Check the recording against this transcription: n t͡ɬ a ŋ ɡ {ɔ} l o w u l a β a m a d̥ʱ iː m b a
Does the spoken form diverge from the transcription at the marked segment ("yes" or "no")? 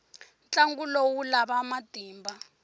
yes